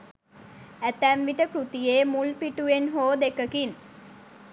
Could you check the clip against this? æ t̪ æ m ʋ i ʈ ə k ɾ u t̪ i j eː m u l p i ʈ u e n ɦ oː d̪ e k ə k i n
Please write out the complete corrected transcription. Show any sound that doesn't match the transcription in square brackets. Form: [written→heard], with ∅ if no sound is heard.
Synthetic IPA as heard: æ t̪ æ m ʋ i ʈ ə k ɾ u t̪ i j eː m u l p i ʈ u e n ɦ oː d̪ e k ə k i n